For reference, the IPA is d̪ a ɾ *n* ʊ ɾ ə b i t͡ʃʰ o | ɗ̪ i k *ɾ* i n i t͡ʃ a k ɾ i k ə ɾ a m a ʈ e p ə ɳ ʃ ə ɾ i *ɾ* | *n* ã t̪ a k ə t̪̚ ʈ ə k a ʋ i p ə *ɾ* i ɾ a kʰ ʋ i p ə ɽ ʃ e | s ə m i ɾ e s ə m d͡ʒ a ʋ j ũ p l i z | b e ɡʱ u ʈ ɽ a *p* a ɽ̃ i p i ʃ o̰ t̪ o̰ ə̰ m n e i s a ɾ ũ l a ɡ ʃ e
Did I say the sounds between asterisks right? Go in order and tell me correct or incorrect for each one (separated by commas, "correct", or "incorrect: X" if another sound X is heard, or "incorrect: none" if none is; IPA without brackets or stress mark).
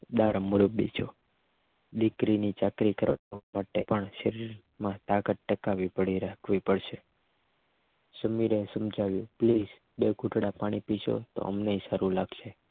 incorrect: m, correct, correct, incorrect: m, incorrect: ɽ, correct